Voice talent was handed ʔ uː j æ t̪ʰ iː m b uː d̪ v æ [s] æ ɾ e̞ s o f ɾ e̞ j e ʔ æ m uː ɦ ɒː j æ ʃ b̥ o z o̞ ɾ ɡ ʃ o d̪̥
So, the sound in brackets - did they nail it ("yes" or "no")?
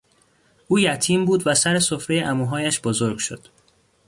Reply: yes